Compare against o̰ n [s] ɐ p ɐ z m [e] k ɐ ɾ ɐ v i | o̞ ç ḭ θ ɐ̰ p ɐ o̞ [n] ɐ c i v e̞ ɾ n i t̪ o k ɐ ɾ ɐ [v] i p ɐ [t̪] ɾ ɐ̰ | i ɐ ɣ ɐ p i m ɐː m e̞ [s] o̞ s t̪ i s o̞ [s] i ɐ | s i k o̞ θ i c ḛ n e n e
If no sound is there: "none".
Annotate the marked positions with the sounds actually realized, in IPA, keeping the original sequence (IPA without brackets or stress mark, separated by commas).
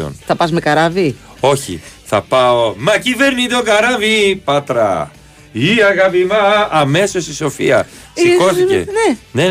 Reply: θ, e, m, v, t̪, s, f